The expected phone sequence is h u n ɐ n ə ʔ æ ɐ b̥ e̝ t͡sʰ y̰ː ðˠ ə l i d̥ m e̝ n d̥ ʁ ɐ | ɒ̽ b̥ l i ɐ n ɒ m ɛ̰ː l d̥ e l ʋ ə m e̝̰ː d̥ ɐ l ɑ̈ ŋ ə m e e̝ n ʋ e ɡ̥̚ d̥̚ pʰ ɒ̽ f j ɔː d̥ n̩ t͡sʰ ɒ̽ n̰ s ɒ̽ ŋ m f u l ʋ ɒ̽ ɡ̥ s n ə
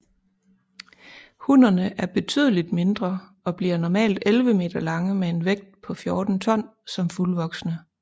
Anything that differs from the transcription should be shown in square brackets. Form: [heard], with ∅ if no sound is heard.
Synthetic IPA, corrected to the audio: h u n ɐ n ə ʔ æ ɐ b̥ e̝ t͡sʰ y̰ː ðˠ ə l i d̥ m e̝ n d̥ ʁ ɐ | ɒ̽ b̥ l i ɐ n ɒ m ɛ̰ː l d̥ e l ʋ ə m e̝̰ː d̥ ɐ l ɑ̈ ŋ ə m e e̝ n ʋ e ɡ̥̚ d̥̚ pʰ ɒ̽ f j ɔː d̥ n̩ t͡sʰ ɒ̽ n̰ s ɒ̽ [∅] m f u l ʋ ɒ̽ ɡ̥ s n ə